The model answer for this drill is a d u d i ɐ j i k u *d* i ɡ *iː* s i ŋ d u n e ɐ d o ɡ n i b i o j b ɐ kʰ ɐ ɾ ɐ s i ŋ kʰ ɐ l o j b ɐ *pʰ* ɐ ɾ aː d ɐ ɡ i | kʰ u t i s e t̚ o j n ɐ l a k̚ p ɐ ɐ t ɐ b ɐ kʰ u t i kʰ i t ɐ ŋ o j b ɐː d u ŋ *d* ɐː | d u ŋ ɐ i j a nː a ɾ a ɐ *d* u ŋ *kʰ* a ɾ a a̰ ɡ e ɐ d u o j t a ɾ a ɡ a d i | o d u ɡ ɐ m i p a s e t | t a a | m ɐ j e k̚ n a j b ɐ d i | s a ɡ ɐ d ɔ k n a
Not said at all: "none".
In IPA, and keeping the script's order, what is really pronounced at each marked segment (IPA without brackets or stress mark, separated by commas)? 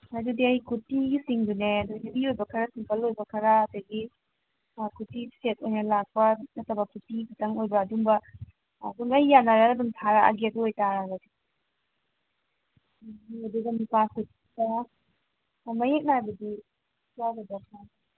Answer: t, i, kʰ, b, d, tʰ